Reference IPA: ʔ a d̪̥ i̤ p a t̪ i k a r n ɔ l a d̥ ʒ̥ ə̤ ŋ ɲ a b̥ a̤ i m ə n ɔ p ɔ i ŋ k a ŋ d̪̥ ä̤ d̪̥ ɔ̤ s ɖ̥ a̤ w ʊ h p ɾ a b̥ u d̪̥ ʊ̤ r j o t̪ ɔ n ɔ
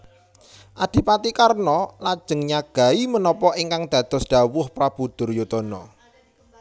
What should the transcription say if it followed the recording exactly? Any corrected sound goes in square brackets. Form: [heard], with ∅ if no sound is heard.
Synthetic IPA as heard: ʔ a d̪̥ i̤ p a t̪ i k a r n ɔ l a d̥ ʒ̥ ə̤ ŋ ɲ a [ɡ̥] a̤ i m ə n ɔ p ɔ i ŋ k a ŋ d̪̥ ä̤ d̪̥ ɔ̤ s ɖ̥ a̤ w ʊ h p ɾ a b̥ u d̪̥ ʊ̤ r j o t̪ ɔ n ɔ